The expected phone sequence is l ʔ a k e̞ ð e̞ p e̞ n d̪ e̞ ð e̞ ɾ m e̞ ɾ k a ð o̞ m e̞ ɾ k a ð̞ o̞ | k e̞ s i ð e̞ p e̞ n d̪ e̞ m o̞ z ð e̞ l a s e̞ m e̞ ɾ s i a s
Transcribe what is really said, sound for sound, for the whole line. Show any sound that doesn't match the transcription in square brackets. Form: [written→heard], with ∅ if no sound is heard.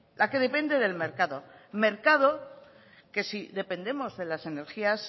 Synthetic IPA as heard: l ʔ a k e̞ ð e̞ p e̞ n d̪ e̞ ð e̞ [ɾ→l] m e̞ ɾ k a ð o̞ m e̞ ɾ k a ð̞ o̞ | k e̞ s i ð e̞ p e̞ n d̪ e̞ m o̞ z ð e̞ l a s e̞ [m→n] e̞ ɾ [s→x] i a s